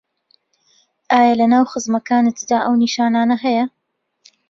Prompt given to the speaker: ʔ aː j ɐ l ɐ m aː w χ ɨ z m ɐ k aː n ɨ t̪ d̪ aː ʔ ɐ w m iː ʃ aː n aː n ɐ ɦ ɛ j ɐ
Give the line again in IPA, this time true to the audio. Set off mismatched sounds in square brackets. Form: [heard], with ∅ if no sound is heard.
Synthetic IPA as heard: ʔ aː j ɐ l ɐ [n] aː w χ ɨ z m ɐ k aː n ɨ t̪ d̪ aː ʔ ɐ w [n] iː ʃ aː n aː n ɐ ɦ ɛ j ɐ